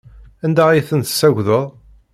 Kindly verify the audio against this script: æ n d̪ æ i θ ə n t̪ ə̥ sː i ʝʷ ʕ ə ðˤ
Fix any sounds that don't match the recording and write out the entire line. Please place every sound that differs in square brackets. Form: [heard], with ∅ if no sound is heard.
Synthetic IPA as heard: æ n d̪ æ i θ ə n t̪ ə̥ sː [æ] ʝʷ [ð] ə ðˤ